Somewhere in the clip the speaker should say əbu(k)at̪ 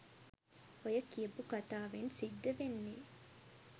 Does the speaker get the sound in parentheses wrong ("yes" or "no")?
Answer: no